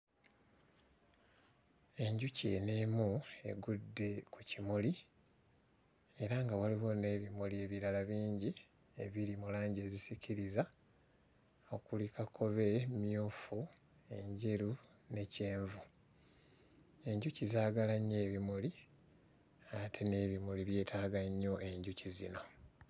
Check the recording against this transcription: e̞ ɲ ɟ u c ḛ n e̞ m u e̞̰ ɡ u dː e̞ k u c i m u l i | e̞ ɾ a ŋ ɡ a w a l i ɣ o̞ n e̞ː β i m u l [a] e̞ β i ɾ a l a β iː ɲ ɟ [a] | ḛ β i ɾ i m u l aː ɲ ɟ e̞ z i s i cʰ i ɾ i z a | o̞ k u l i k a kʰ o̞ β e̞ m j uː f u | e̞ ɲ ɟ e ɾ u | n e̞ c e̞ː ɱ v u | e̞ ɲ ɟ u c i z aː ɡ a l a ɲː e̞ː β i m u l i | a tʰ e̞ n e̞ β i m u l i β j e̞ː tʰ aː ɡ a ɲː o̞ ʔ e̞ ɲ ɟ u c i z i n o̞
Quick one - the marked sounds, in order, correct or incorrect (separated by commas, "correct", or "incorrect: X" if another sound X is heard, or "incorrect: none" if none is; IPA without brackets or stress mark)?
incorrect: i, incorrect: i